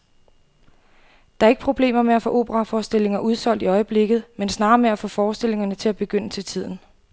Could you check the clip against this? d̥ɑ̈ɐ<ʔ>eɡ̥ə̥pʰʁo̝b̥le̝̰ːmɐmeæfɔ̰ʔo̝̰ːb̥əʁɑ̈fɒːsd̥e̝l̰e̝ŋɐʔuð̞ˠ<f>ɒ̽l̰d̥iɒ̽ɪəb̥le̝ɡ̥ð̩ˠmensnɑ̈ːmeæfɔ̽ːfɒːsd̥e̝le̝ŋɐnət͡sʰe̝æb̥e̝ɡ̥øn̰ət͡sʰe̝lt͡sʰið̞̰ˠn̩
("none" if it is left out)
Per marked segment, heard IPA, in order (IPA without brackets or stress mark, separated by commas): none, s